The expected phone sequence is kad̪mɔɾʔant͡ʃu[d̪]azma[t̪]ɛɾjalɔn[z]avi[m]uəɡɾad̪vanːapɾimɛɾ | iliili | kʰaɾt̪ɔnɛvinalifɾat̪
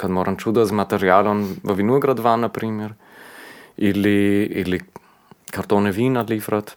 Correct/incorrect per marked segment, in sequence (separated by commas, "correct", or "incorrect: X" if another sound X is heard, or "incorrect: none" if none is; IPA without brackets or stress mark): correct, correct, incorrect: v, incorrect: n